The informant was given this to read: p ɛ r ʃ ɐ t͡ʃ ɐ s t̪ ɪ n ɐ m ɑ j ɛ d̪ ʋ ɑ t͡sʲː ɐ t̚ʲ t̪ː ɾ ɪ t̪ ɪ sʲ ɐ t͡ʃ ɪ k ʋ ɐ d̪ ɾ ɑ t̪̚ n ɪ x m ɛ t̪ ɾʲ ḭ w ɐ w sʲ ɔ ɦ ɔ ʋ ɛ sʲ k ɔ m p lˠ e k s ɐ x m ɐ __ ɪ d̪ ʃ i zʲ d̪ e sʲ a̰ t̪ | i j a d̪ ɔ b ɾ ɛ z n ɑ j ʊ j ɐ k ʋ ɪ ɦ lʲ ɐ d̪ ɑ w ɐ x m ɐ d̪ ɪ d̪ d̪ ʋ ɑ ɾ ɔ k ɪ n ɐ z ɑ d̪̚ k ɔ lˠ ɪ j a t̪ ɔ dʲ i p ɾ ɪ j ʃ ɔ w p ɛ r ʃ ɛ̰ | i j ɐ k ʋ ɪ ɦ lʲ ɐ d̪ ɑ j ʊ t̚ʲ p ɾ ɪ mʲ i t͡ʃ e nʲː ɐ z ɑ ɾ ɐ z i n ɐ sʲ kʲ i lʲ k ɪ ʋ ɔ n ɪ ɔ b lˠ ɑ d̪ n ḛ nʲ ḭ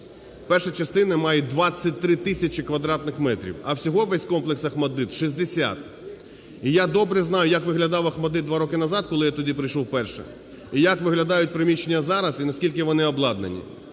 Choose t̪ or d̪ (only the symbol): d̪